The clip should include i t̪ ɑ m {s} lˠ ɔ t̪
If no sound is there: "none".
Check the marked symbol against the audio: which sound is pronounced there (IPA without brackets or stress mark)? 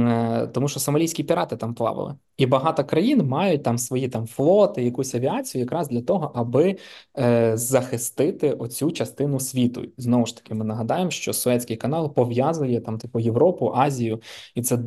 f